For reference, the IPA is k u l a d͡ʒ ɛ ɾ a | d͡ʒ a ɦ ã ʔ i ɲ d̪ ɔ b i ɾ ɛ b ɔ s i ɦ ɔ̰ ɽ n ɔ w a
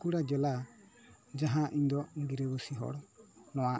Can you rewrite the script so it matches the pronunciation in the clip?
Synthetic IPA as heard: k u ɽ a d͡ʒ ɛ l a | d͡ʒ a ɦ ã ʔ i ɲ d̪ ɔ ɡ i ɾ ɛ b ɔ s i ɦ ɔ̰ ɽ n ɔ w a